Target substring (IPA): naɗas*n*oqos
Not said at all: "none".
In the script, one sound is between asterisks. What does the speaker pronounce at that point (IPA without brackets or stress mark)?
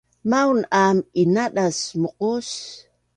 m